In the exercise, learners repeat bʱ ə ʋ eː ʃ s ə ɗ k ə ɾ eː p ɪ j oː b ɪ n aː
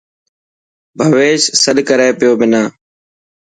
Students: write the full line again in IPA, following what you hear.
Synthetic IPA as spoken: bʱ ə ʋ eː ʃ s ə ɗ k ə ɾ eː p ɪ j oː b ɪ n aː